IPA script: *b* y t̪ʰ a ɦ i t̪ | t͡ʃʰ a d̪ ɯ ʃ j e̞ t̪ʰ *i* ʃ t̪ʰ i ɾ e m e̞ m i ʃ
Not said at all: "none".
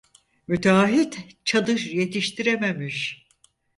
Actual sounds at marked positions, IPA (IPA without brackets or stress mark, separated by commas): m, i